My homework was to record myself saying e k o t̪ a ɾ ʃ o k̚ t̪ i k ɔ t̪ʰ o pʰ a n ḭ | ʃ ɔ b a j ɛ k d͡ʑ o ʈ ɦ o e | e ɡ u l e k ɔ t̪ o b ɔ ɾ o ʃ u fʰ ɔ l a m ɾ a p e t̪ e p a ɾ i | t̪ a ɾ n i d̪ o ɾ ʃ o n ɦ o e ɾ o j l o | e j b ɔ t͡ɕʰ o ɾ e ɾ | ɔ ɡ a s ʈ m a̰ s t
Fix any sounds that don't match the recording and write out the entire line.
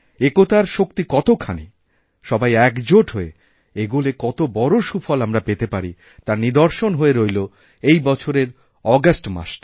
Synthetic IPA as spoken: e k o t̪ a ɾ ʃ o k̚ t̪ i k ɔ t̪ o kʰ a n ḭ | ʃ ɔ b a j ɛ k d͡ʑ o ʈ ɦ o e | e ɡ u l e k ɔ t̪ o b ɔ ɾ o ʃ u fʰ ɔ l a m ɾ a p e t̪ e p a ɾ i | t̪ a ɾ n i d̪ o ɾ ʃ o n ɦ o e ɾ o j l o | e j b ɔ t͡ɕʰ o ɾ e ɾ | ɔ ɡ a s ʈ m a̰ ʃ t